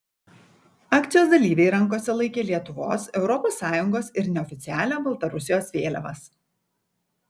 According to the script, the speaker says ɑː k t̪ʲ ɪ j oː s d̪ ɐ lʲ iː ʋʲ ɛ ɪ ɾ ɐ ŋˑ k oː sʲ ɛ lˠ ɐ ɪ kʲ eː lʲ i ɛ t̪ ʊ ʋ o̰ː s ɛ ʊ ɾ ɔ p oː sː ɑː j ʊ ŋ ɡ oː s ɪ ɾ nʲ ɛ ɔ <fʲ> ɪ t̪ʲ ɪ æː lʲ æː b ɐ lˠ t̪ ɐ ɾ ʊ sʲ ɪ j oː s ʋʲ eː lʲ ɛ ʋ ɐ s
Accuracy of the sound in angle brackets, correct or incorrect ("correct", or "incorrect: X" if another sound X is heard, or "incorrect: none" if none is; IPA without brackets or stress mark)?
correct